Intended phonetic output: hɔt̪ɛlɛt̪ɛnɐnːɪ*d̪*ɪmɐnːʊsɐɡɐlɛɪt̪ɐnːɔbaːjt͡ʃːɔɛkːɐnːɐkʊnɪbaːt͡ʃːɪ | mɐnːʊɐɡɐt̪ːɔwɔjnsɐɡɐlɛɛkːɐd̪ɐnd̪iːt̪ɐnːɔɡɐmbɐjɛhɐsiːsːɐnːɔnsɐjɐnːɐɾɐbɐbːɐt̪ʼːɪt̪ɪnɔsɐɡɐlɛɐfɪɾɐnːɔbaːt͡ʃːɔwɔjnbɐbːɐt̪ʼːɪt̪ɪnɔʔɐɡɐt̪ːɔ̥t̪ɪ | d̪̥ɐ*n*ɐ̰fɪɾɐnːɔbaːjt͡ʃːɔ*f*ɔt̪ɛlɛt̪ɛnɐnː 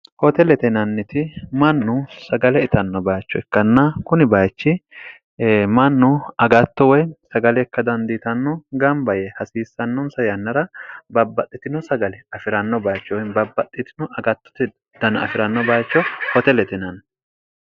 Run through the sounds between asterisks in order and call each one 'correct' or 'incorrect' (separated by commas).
incorrect, correct, incorrect